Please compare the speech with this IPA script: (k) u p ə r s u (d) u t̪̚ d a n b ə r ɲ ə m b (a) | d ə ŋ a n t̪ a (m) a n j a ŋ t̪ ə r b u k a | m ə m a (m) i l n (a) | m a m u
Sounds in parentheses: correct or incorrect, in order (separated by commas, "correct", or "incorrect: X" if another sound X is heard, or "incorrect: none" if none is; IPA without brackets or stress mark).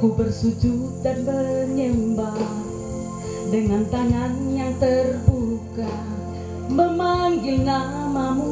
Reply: correct, incorrect: d͡ʒ, correct, incorrect: ŋ, incorrect: ŋ, correct